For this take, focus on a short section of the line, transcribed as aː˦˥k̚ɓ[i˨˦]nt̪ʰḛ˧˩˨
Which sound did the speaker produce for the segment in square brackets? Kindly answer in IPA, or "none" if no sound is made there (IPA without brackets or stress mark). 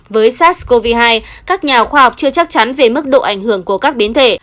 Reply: i˨˦